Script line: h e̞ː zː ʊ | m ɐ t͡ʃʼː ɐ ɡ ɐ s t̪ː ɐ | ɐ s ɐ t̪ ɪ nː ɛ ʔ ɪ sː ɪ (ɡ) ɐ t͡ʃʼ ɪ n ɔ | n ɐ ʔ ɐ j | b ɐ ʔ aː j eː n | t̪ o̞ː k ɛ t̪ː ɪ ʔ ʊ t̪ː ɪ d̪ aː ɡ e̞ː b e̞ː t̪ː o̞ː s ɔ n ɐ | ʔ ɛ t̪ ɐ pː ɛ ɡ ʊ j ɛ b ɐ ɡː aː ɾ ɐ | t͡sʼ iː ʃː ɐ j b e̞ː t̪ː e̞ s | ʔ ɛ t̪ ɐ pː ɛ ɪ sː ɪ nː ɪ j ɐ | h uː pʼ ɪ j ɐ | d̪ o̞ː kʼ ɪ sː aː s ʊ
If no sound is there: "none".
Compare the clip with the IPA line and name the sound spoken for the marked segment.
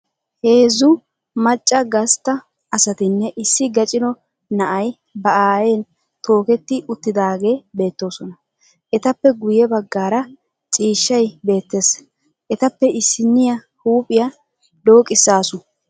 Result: ɡ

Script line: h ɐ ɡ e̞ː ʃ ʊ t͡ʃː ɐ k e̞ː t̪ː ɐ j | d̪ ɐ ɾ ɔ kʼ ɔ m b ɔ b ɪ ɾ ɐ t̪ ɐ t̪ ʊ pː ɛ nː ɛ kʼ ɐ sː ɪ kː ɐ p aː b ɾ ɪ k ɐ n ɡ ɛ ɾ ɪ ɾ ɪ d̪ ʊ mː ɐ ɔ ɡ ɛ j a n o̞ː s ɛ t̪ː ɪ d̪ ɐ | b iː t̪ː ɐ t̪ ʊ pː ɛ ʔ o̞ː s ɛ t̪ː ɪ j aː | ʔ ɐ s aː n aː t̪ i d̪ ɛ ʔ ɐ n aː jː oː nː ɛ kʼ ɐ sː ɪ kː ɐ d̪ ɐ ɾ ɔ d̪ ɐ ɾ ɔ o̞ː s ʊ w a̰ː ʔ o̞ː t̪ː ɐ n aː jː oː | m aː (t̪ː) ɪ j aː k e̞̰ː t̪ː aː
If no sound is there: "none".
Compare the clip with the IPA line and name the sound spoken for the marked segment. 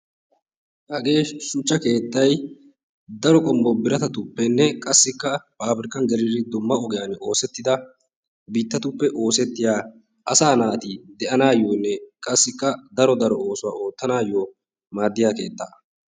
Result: d̪ː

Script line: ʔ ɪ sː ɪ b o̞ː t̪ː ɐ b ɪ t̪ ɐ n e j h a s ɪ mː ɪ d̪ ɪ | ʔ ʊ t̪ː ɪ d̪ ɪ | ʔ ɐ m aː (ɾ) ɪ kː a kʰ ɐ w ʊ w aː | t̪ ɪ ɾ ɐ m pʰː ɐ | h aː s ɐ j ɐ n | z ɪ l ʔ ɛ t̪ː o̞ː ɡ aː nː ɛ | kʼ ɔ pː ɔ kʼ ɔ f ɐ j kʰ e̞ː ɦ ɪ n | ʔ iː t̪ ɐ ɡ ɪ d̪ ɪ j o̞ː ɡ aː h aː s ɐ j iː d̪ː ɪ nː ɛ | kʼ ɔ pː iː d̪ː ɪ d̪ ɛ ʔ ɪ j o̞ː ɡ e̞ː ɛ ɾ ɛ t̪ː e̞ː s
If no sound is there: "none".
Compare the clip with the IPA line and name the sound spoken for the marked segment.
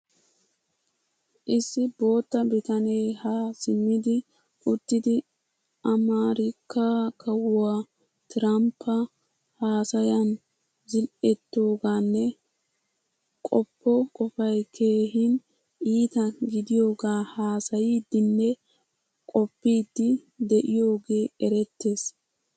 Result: ɾ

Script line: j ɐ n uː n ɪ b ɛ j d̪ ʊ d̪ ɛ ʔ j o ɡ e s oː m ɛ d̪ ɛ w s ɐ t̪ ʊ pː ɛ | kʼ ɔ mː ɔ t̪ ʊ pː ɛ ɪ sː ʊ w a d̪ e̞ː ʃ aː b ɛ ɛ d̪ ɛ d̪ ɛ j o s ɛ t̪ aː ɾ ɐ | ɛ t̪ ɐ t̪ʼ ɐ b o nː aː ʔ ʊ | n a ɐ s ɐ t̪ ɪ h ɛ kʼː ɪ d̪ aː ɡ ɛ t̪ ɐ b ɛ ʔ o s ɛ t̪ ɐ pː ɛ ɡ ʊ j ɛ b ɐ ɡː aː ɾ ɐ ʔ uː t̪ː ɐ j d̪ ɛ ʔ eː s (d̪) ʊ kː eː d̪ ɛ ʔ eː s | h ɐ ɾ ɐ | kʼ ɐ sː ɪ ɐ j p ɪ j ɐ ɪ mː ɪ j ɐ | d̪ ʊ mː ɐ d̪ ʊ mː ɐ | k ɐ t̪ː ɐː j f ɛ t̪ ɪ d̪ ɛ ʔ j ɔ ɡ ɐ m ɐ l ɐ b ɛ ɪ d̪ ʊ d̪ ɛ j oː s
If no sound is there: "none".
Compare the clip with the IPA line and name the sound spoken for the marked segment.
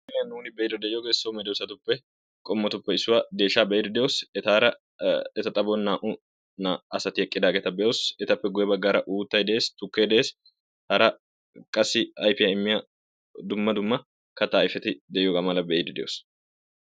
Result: t̪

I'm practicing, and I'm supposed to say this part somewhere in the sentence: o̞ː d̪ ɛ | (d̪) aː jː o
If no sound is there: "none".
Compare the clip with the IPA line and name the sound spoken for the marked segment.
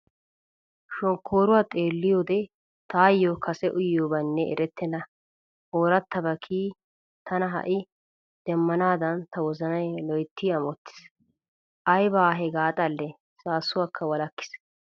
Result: t̪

